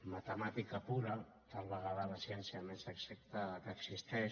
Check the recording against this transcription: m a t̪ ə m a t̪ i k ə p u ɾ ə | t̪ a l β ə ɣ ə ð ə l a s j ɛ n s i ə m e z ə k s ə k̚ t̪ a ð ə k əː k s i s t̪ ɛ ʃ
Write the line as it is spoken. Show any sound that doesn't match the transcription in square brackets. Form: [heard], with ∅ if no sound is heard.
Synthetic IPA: m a t̪ ə m a t̪ i k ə p u ɾ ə | t̪ a l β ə ɣ [a] ð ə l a s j ɛ n s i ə m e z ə k s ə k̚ t̪ a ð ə k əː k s i s t̪ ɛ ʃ